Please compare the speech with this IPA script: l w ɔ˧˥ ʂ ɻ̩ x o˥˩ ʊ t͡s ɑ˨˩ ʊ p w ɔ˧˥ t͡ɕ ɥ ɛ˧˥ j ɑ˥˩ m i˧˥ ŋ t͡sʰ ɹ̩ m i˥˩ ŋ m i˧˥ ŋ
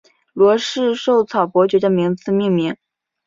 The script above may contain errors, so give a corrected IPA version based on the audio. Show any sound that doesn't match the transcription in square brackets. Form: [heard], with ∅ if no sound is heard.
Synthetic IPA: l w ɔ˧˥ ʂ ɻ̩ [ʂ] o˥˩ ʊ [t͡sʰ] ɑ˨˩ ʊ p w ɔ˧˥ t͡ɕ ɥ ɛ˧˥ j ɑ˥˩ m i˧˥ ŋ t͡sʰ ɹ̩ m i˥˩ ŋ m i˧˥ ŋ